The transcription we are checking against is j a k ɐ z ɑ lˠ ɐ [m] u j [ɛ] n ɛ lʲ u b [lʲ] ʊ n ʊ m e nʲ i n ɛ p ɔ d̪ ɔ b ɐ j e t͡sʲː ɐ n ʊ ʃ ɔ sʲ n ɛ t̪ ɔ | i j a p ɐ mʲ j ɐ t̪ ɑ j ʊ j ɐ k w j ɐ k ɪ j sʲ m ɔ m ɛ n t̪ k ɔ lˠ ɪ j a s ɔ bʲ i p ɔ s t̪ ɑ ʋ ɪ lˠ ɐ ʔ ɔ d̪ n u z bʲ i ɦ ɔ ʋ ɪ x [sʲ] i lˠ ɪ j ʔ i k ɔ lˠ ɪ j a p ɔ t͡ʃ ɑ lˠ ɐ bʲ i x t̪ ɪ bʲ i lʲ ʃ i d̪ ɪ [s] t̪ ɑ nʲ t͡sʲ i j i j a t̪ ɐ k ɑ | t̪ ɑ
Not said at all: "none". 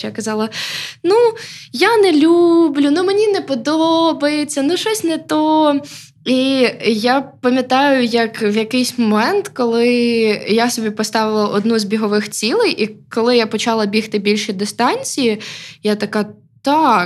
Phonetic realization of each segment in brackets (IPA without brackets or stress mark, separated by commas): n, a, lʲ, t͡sʲ, s